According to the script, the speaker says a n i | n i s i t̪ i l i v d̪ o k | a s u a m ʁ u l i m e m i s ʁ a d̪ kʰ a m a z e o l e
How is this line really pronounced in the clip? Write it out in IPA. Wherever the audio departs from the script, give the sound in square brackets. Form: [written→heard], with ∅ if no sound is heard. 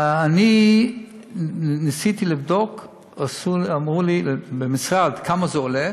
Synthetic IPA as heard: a n i | n i s i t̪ i l i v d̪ o k | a s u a m ʁ u l i [m→b] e m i s ʁ a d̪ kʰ a m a z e o l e